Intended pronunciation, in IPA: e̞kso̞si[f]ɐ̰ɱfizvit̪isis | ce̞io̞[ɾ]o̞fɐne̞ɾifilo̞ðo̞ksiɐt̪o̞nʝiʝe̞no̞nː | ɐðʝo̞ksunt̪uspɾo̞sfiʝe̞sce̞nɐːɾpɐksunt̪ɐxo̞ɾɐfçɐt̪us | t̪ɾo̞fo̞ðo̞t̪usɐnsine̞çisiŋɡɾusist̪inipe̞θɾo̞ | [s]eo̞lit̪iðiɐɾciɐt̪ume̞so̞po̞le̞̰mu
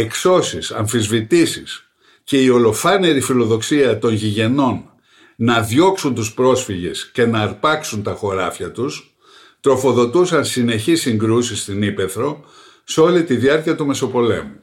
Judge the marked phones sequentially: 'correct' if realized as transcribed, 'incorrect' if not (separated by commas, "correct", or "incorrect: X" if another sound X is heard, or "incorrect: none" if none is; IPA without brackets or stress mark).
incorrect: s, incorrect: l, correct